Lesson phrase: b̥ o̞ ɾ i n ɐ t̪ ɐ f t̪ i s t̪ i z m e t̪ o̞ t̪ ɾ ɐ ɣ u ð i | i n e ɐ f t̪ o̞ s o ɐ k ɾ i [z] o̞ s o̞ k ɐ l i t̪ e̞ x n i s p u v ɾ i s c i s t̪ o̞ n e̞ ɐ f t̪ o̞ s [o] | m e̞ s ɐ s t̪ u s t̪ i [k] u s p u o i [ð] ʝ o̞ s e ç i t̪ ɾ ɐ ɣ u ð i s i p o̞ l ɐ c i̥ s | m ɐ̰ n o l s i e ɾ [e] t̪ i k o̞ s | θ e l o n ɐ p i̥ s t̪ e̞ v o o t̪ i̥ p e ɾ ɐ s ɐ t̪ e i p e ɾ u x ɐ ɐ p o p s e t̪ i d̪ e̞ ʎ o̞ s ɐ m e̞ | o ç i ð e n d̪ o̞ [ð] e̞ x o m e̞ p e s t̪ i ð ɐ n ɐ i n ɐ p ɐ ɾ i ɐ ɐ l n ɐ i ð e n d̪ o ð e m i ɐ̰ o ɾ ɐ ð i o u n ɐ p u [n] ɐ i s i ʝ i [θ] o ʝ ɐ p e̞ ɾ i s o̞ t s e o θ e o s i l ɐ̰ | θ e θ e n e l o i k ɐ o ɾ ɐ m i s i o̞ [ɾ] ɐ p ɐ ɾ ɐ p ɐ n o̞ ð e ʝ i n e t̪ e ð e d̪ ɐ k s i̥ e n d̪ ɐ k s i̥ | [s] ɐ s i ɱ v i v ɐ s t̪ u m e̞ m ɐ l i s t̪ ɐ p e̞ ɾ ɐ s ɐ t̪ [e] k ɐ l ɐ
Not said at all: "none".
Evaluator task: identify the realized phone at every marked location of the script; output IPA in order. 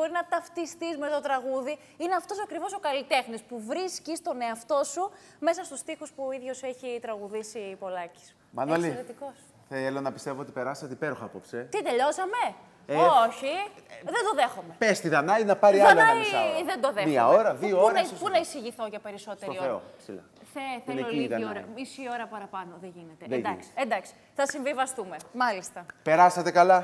v, u, x, ð, e, ð, n, θ, ɾ, θ, e

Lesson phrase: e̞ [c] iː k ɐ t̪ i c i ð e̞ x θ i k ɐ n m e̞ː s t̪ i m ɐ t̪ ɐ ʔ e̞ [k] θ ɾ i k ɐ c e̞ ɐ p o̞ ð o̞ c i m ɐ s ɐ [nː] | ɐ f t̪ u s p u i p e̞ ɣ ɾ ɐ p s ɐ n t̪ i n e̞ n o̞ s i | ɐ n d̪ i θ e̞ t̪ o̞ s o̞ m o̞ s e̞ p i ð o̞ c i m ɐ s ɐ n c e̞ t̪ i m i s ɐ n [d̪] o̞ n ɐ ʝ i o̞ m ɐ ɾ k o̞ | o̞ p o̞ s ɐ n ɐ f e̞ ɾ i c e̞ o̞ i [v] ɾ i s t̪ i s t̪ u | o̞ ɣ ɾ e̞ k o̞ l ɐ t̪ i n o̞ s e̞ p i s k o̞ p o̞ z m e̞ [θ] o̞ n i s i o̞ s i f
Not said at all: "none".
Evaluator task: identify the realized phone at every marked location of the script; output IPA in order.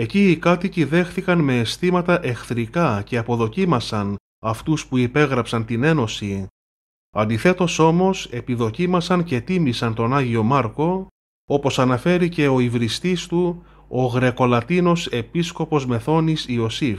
c, x, n, t̪, v, θ

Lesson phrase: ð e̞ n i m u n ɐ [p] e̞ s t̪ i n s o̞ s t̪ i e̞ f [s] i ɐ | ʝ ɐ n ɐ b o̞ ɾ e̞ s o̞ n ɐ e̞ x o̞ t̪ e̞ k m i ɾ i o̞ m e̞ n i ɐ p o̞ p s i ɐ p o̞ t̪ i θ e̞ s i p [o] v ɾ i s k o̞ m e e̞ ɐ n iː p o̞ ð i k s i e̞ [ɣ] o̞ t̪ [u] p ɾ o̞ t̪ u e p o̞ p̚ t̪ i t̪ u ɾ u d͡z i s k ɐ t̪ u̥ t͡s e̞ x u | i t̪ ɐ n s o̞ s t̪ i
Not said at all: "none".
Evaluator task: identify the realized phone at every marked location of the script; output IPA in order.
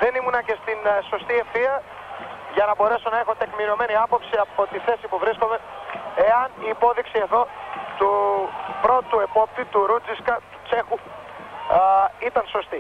c, θ, u, ð, u

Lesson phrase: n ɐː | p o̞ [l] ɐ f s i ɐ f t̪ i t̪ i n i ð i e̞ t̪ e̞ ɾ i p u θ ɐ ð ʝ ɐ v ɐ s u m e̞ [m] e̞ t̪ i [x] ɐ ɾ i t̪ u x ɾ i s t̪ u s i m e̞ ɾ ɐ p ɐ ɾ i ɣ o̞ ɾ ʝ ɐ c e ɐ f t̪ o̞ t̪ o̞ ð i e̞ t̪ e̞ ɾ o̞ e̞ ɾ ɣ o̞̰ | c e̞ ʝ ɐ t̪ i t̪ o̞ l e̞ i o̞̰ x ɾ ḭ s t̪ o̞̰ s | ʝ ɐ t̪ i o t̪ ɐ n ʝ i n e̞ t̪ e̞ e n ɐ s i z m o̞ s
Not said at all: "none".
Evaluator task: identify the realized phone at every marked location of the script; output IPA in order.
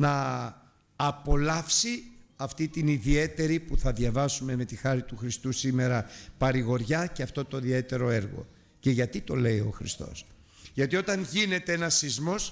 l, m, x

